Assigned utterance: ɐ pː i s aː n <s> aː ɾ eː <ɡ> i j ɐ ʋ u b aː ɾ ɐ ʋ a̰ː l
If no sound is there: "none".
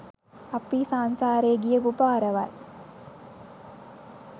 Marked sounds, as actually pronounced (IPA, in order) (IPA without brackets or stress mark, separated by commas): s, ɡ